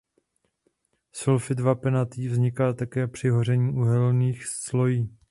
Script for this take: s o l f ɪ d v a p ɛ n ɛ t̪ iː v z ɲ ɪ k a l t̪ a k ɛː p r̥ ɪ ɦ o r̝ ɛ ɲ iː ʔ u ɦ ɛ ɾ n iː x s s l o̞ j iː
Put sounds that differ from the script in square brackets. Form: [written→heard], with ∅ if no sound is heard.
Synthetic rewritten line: s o l f ɪ d v a p ɛ n [ɛ→a] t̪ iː v z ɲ ɪ k a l t̪ a k ɛː p r̥ ɪ ɦ o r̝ ɛ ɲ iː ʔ u ɦ ɛ [ɾ→l] n iː x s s l o̞ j iː